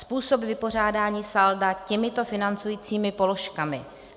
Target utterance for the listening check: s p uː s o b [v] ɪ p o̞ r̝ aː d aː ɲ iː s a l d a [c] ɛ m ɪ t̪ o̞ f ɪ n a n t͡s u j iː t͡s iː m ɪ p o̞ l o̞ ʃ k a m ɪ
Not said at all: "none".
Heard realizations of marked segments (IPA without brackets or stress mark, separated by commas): v, c